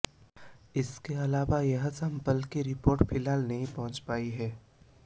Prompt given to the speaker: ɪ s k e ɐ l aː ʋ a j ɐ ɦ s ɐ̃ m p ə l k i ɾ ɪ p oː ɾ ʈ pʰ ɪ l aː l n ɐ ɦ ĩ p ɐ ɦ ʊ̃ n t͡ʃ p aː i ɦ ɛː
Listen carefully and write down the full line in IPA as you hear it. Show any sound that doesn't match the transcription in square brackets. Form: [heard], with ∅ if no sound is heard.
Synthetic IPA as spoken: ɪ s k e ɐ l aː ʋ a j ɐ ɦ s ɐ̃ m p ə l k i ɾ ɪ p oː ɾ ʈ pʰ ɪ l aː l n ɐ ɦ ĩ p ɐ ɦ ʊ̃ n t͡ʃ p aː i ɦ ɛː